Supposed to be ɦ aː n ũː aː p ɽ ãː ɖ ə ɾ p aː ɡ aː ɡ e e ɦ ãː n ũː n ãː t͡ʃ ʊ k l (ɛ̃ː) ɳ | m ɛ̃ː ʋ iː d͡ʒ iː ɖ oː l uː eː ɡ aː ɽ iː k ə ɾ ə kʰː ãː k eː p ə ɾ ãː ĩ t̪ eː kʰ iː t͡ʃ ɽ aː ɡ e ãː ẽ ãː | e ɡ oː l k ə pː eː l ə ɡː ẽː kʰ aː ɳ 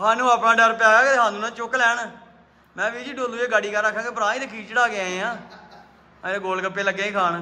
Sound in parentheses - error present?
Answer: yes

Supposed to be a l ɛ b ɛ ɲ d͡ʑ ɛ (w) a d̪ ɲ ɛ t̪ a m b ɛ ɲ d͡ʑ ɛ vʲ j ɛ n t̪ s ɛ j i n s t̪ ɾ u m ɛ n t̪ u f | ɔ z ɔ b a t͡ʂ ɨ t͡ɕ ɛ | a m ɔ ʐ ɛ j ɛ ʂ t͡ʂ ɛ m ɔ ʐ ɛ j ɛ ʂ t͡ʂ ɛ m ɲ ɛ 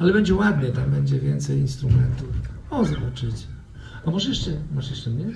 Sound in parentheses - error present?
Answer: no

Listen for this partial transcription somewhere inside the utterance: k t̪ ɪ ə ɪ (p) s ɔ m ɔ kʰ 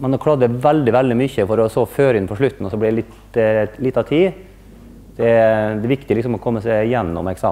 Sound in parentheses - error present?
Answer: yes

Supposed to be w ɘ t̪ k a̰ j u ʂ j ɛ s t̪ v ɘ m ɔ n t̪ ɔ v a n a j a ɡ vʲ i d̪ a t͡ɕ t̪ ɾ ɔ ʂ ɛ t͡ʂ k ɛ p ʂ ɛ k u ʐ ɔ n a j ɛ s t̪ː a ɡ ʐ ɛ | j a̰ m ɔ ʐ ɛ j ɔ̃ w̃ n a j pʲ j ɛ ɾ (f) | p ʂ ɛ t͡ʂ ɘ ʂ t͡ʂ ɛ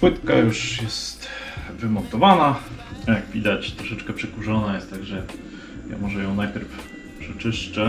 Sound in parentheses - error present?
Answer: no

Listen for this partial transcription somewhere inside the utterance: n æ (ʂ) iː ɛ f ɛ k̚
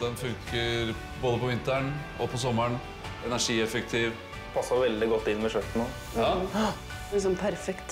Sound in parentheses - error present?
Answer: no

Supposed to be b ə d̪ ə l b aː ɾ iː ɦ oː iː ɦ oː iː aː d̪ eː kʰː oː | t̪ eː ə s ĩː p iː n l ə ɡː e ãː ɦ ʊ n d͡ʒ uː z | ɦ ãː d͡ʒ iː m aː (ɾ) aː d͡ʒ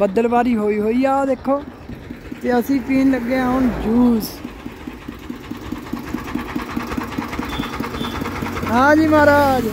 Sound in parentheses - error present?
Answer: no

